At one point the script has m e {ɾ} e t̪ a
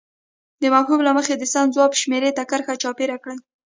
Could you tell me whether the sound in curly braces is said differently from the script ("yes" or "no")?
no